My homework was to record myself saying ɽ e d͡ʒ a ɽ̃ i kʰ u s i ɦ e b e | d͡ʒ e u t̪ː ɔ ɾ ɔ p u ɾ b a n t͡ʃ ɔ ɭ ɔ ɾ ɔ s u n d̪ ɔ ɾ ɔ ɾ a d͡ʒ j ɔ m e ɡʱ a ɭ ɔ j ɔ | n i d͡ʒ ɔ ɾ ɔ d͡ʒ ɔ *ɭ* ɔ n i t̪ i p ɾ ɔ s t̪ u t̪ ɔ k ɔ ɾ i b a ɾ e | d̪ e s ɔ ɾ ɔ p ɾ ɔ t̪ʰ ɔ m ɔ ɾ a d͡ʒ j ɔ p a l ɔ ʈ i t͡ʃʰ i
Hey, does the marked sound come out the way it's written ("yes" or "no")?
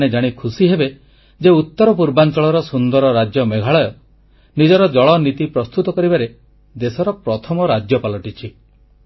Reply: yes